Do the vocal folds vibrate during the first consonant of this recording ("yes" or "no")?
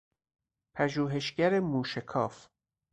no